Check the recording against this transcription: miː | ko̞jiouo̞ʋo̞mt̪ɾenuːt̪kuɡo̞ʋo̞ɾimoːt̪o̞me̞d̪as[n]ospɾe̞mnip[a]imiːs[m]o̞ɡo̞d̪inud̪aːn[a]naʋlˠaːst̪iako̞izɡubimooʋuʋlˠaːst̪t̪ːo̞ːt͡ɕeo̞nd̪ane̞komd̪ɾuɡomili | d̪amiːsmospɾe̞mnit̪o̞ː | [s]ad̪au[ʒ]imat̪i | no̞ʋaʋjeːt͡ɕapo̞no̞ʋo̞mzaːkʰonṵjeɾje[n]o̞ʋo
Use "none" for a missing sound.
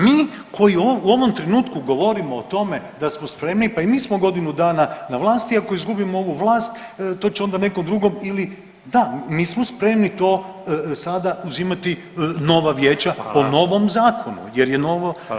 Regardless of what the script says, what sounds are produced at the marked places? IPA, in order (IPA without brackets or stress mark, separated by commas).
m, a, m, a, s, z, n